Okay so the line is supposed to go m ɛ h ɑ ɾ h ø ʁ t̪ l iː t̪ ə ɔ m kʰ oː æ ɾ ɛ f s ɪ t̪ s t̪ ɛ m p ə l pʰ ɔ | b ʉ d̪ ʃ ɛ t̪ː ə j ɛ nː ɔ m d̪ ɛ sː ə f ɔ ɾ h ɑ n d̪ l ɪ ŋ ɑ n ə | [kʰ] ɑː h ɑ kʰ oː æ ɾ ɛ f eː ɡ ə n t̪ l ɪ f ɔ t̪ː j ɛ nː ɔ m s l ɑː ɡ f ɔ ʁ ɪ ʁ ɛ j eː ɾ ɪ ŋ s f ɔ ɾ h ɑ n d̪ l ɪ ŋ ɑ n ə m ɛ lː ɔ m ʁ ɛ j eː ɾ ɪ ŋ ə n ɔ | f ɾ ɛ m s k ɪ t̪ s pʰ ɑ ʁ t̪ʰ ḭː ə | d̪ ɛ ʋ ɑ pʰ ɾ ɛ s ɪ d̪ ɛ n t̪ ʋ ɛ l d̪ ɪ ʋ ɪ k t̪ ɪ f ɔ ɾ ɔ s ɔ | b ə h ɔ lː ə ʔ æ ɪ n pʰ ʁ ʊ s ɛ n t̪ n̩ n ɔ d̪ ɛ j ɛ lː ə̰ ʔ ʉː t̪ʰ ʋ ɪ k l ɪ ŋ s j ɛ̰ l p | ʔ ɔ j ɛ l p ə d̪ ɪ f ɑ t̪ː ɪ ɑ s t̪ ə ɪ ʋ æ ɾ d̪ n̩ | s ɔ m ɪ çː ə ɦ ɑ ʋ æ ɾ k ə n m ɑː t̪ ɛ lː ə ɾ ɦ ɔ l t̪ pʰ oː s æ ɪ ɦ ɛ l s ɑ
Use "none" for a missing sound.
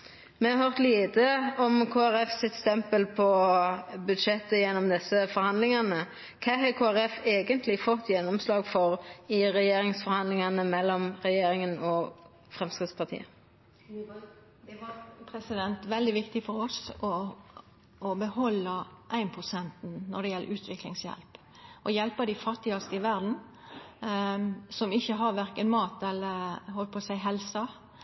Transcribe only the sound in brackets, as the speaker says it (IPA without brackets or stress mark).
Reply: kʰ